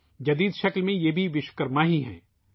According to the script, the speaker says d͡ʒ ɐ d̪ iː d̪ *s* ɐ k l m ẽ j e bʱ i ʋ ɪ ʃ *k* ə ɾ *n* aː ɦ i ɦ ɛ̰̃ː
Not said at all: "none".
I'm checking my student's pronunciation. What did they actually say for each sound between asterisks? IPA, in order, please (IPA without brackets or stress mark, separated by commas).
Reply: ʃ, k, m